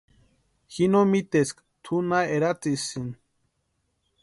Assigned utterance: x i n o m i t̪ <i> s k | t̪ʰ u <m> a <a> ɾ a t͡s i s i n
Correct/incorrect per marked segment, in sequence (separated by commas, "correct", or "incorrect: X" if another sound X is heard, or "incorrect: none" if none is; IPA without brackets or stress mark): incorrect: e, incorrect: n, incorrect: e